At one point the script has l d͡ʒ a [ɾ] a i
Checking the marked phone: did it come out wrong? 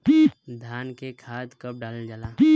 yes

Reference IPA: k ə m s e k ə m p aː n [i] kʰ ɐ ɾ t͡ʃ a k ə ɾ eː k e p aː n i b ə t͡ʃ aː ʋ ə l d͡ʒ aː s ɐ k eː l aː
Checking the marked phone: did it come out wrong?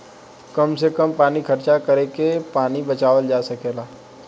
no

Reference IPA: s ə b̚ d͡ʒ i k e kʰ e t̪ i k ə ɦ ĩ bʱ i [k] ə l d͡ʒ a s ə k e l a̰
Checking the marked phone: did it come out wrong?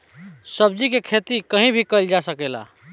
no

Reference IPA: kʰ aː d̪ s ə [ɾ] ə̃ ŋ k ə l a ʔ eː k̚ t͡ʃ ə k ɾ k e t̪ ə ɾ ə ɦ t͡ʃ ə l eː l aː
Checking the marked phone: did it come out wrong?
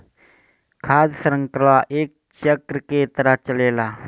no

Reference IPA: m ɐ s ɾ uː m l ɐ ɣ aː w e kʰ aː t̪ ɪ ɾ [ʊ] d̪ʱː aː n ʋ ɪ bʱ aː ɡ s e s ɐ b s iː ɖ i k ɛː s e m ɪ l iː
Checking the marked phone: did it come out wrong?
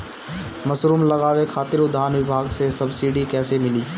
no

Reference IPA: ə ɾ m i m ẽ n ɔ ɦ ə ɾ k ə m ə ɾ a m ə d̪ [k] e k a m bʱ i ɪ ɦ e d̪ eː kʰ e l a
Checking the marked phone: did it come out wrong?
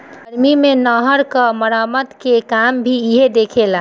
no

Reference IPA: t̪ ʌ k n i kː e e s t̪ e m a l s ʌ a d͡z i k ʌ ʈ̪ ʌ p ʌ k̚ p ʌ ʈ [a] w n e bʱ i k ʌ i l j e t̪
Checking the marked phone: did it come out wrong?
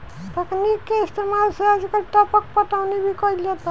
no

